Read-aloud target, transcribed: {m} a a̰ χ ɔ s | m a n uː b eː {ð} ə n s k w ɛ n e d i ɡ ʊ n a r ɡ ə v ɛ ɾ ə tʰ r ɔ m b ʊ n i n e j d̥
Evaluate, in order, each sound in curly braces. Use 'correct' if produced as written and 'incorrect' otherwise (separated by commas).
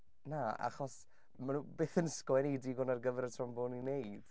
incorrect, incorrect